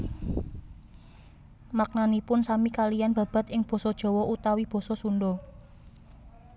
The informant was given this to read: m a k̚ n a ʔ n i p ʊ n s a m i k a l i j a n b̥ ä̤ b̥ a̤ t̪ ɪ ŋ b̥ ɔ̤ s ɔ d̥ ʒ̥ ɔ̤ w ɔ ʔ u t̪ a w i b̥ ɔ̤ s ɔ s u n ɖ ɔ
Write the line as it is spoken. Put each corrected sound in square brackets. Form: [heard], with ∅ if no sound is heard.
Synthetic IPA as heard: m a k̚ n a [∅] n i p ʊ n s a m i k a l i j a n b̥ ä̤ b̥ a̤ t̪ ɪ ŋ b̥ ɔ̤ s ɔ d̥ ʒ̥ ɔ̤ w ɔ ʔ u t̪ a w i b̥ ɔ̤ s ɔ s u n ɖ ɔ